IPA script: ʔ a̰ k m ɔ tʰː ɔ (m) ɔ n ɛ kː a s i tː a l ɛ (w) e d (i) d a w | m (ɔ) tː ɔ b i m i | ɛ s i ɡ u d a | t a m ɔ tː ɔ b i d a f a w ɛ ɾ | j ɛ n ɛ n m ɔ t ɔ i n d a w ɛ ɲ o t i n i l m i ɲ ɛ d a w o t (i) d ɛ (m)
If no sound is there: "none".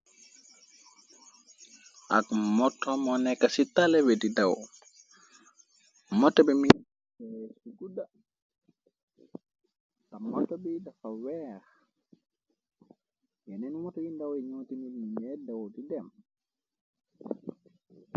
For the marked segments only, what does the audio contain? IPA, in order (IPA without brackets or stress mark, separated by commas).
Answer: m, w, i, ɔ, i, m